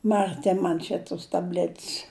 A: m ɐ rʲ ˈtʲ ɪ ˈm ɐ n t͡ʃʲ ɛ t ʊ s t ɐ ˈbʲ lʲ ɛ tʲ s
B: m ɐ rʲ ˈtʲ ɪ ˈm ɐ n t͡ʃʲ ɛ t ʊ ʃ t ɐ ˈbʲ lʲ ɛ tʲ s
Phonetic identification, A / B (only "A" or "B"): A